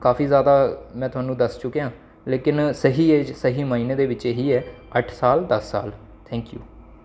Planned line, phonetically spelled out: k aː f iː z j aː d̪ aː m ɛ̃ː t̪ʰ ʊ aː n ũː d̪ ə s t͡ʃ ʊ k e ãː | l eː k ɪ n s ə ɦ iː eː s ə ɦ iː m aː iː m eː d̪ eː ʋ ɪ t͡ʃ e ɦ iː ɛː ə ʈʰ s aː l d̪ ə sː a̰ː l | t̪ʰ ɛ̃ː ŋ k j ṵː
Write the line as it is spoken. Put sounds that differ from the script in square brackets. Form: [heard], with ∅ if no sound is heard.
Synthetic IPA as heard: k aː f iː z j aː d̪ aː m ɛ̃ː [t̪] ʊ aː n ũː d̪ ə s t͡ʃ ʊ k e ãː | l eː k ɪ n s ə ɦ iː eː s ə ɦ iː m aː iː [n] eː d̪ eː ʋ ɪ t͡ʃ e ɦ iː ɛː ə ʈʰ s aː l d̪ ə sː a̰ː l | t̪ʰ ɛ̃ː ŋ k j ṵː